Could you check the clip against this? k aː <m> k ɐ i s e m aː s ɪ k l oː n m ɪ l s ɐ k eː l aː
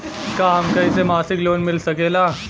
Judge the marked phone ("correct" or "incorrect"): correct